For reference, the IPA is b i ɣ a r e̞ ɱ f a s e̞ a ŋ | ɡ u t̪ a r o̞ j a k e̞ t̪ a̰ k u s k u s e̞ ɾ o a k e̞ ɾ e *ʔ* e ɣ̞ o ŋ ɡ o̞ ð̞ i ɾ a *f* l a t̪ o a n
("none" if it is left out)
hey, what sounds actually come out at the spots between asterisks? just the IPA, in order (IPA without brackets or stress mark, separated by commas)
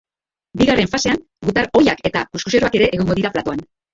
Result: ʔ, f